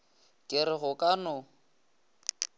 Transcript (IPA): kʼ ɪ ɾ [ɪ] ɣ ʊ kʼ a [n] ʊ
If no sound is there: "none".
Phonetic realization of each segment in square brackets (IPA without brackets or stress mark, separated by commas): ɪ, n